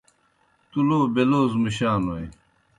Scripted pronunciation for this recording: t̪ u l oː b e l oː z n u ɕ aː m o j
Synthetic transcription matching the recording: t̪ u l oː b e l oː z m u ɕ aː n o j

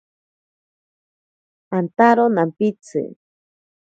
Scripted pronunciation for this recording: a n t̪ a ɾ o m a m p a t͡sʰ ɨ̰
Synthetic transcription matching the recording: a n t̪ a ɾ o n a m p i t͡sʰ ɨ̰

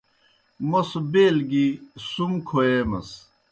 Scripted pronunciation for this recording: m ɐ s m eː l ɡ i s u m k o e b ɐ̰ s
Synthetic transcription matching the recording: m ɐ s b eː l ɡ i s u m kʰ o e m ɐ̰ s

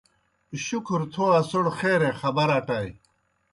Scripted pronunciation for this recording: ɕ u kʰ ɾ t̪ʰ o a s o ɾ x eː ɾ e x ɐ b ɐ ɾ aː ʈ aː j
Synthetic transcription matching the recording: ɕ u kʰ ɾ t̪ʰ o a s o ɽ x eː ɾ e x ɐ b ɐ ɾ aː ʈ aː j

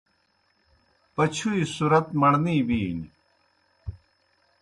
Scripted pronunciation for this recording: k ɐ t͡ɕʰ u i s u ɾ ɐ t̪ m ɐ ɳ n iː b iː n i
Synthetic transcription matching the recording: p ɐ t͡ɕʰ u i s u ɾ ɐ t̪ m ɐ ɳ n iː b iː n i

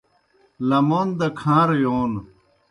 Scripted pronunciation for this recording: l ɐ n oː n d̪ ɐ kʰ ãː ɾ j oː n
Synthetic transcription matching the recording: l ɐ m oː n d̪ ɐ kʰ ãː ɾ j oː n

